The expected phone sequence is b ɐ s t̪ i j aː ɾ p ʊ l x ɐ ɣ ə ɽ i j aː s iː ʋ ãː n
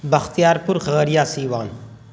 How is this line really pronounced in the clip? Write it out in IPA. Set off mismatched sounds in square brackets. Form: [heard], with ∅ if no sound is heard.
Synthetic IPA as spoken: b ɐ [x] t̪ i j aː ɾ p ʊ [ɾ] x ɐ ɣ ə [ɾ] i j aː s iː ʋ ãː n